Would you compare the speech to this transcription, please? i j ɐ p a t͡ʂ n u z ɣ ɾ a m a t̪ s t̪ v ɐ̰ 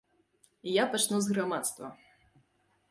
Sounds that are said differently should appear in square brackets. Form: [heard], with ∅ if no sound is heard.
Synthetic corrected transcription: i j [a] p a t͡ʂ n u z ɣ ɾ a m a t̪ s t̪ v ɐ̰